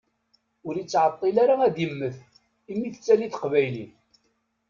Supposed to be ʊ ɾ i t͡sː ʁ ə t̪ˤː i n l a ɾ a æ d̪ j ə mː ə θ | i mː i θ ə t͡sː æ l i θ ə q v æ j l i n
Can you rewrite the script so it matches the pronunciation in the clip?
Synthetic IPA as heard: ʊ ɾ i t͡sː ʕ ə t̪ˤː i l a ɾ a æ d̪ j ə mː ə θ | i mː i θ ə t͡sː æ l i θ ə q v æ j l i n